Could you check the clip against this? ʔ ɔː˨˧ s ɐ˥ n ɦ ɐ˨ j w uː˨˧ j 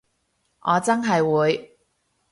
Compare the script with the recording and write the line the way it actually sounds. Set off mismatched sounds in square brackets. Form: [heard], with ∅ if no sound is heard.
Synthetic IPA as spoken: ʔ ɔː˨˧ [t͡s] ɐ˥ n ɦ ɐ˨ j w uː˨˧ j